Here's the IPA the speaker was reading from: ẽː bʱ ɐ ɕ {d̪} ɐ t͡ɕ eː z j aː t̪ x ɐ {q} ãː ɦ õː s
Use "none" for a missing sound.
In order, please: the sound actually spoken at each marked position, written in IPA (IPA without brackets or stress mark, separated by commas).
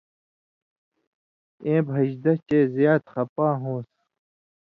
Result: d̪, p